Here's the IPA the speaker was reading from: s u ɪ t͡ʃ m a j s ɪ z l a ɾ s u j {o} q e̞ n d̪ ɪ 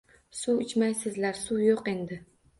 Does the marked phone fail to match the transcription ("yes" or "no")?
no